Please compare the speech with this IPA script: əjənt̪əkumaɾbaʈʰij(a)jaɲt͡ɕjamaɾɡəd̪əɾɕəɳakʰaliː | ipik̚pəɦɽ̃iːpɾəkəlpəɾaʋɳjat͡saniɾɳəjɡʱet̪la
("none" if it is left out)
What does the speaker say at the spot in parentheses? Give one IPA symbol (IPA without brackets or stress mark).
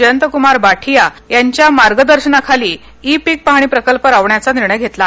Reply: a